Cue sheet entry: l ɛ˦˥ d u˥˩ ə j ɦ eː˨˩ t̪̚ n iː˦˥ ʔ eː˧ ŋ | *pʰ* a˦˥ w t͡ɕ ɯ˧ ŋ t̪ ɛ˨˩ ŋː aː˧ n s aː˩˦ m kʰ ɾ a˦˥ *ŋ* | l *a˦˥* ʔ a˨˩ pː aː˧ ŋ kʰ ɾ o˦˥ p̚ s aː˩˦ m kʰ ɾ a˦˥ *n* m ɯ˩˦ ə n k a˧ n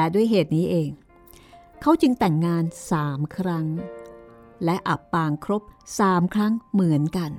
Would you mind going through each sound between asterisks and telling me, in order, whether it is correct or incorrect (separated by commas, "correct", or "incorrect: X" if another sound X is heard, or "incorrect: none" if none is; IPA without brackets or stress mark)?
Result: incorrect: kʰ, correct, incorrect: ɛ˦˥, incorrect: ŋ